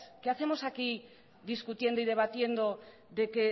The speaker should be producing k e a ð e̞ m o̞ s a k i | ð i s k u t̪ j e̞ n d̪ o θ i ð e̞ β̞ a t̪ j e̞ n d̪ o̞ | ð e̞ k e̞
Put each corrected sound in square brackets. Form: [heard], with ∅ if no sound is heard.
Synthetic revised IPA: k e a [θ] e̞ m o̞ s a k i | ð i s k u t̪ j e̞ n d̪ o [∅] i ð e̞ β̞ a t̪ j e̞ n d̪ o̞ | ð e̞ k e̞